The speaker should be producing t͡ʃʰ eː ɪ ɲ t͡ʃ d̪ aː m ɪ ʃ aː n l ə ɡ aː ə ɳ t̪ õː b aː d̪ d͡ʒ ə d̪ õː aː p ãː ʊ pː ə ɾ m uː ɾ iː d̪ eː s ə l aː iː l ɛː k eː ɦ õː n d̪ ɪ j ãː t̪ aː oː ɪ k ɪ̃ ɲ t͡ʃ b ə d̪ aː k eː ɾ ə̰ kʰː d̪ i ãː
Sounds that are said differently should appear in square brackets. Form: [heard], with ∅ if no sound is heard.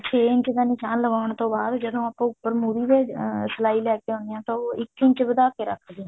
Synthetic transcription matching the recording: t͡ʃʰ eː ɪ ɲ t͡ʃ d̪ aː [n] ɪ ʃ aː n l ə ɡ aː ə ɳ t̪ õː b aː d̪ d͡ʒ ə d̪ õː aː p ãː ʊ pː ə ɾ m uː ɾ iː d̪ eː s ə l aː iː l ɛː k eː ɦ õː n d̪ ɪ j ãː t̪ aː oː ɪ k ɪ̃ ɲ t͡ʃ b ə d̪ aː k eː ɾ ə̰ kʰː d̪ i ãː